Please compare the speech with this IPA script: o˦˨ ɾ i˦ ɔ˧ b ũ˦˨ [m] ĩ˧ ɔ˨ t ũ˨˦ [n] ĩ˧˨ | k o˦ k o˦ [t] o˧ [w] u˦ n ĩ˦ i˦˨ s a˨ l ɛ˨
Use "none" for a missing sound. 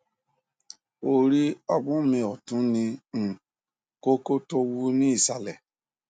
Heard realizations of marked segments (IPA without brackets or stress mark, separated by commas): m, n, t, w